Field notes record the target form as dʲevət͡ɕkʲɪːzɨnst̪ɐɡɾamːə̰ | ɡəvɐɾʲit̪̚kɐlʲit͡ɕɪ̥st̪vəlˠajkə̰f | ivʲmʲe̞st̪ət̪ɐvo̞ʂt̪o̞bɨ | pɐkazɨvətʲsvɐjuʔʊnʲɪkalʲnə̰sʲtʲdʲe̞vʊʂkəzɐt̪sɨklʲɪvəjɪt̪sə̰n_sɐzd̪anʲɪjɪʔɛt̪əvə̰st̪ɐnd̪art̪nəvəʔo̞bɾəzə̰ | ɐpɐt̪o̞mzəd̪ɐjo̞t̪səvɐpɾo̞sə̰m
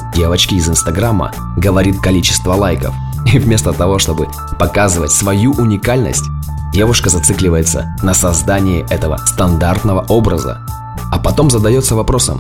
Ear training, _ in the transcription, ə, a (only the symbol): ə